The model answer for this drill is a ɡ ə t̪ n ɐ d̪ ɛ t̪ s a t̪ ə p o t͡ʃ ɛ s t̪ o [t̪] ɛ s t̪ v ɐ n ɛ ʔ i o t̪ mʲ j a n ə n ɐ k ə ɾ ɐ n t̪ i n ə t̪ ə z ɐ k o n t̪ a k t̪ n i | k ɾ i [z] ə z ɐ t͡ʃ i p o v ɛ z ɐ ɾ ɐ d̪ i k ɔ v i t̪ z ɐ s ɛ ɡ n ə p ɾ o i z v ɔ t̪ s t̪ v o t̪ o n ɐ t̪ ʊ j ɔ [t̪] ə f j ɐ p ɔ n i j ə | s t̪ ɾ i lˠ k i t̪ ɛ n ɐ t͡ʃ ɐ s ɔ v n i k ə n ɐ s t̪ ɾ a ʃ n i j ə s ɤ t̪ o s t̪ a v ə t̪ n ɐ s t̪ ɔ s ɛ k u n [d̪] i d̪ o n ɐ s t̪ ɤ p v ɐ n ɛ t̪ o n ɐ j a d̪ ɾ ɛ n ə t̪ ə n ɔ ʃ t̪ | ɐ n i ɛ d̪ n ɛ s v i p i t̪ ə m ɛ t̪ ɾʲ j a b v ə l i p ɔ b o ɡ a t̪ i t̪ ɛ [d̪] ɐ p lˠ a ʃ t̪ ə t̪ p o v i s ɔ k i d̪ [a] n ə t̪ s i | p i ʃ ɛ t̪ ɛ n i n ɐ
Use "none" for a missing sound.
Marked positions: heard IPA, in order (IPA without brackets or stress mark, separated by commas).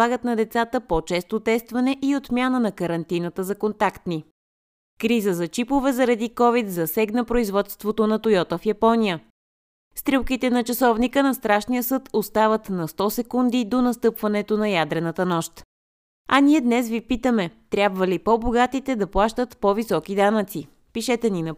t̪, z, t̪, d̪, d̪, a